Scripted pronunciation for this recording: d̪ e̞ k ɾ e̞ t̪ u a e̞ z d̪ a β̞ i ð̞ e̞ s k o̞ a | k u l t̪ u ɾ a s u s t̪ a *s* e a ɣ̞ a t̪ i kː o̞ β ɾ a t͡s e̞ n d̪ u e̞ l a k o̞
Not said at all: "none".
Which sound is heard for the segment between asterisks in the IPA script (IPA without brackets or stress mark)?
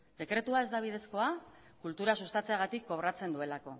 t͡s